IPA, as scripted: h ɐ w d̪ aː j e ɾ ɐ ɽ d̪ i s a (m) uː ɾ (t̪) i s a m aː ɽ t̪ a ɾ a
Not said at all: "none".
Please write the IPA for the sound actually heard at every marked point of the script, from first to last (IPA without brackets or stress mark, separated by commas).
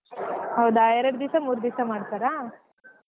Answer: m, d̪